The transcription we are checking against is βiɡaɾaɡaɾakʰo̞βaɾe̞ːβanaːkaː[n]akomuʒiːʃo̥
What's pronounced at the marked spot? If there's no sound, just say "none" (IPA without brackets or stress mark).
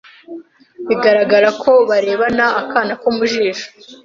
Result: n